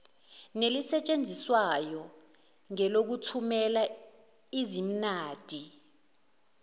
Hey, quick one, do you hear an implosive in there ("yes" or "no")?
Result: no